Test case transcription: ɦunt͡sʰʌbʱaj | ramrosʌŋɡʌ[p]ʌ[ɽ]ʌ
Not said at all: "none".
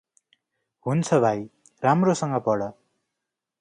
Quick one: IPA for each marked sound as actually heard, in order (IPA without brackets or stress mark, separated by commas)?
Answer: p, ɽ